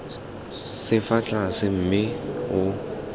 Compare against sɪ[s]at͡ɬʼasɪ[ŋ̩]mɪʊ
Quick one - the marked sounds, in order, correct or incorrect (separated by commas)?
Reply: incorrect, incorrect